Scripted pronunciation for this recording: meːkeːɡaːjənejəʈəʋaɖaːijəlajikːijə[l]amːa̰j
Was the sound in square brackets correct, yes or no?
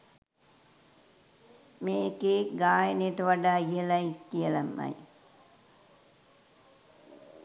yes